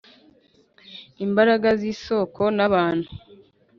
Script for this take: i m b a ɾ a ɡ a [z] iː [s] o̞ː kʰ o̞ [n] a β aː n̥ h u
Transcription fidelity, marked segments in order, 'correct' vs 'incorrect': correct, correct, correct

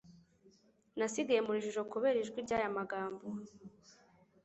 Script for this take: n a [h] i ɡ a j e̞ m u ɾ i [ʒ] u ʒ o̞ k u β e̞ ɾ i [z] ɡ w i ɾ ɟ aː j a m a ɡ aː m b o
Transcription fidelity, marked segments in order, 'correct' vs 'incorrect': incorrect, correct, incorrect

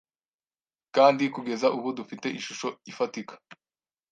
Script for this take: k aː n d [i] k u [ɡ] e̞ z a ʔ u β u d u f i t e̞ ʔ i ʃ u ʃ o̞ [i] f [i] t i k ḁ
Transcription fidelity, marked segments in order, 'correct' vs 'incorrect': correct, correct, correct, incorrect

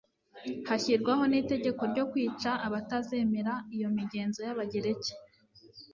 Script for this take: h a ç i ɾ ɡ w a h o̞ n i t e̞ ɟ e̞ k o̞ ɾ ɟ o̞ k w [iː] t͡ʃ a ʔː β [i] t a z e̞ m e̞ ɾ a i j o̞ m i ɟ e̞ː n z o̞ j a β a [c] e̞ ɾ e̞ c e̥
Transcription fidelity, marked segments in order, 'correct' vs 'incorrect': correct, incorrect, incorrect

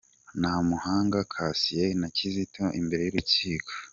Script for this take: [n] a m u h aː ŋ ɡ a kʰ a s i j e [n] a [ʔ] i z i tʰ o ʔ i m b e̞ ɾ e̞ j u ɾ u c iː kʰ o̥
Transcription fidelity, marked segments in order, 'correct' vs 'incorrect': correct, correct, incorrect

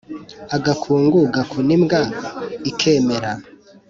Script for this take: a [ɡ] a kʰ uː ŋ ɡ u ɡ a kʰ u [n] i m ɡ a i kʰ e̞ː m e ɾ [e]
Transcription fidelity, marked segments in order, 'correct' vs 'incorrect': correct, correct, incorrect

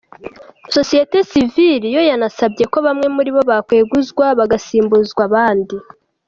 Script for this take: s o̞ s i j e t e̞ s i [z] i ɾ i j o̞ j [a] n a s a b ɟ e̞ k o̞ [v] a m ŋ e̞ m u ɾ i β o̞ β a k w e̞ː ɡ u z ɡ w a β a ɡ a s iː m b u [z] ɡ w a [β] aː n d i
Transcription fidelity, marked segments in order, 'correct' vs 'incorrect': incorrect, correct, incorrect, correct, correct

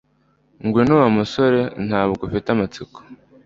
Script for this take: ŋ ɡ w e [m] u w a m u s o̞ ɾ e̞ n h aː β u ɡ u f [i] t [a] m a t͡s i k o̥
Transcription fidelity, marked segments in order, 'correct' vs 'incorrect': incorrect, correct, correct

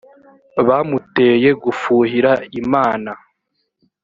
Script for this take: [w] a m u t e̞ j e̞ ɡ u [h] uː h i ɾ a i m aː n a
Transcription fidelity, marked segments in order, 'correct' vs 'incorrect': incorrect, incorrect

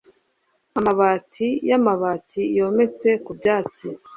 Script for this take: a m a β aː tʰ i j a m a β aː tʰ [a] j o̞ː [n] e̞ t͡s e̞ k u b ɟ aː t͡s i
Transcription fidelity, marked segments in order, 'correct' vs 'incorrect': incorrect, incorrect

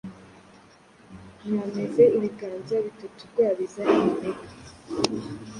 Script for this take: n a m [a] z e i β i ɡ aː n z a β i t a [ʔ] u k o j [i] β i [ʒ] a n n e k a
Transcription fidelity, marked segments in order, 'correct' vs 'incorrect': incorrect, incorrect, incorrect, incorrect

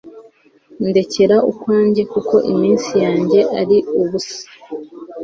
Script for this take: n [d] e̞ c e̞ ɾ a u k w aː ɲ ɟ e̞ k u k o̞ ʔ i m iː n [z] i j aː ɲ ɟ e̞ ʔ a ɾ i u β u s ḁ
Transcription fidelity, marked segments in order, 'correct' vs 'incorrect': correct, incorrect

